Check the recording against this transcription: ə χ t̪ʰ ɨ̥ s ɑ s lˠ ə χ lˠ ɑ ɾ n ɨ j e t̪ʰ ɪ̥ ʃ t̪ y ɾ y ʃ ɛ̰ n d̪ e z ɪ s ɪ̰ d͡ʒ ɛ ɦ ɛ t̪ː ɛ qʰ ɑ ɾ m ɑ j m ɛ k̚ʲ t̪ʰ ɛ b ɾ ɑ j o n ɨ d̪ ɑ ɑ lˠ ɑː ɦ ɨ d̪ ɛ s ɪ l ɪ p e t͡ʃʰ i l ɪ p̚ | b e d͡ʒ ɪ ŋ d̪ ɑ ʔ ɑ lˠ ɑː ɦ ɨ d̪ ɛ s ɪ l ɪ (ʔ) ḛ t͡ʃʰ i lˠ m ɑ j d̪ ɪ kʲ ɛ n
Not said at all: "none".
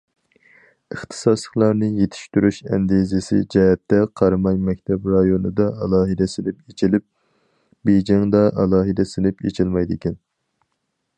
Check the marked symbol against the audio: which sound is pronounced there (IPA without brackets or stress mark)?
p